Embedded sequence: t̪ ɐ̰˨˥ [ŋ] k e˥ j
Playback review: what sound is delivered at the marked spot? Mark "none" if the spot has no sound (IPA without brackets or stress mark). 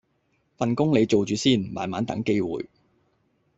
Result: ŋ